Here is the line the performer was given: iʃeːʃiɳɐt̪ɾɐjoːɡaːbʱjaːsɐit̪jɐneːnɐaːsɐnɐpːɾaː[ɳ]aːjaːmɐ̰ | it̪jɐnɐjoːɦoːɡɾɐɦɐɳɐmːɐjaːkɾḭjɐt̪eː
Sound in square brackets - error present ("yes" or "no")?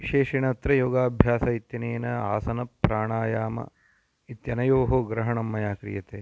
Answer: no